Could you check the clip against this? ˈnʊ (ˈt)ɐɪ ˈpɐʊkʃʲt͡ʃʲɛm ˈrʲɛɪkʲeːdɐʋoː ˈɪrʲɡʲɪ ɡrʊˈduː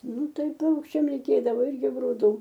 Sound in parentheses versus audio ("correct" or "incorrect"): correct